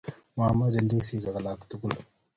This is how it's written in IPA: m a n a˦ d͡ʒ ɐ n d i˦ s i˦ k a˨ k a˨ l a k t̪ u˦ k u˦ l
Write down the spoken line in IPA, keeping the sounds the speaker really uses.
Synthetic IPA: m a m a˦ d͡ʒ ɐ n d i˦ s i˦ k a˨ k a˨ l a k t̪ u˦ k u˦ l